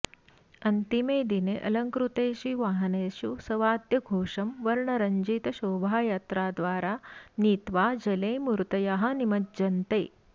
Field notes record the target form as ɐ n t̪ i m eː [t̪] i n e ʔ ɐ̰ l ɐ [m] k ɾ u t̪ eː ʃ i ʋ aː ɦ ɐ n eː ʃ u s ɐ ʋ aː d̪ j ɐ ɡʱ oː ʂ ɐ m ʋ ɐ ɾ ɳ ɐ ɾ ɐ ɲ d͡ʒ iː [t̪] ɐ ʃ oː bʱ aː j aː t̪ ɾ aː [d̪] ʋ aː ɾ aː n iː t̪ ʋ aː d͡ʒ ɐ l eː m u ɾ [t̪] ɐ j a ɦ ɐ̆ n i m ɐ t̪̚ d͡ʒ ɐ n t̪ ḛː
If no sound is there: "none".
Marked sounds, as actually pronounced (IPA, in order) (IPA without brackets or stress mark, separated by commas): d̪, ŋ, t̪, d̪, t̪